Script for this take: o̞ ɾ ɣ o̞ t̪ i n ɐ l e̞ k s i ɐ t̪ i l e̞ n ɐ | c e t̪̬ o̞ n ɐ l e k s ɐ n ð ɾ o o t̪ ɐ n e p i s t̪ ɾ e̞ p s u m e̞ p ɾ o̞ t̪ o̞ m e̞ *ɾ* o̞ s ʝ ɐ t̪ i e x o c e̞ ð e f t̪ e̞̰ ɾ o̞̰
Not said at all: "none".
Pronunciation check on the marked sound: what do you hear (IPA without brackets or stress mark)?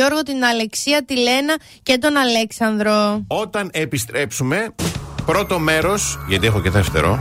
ɾ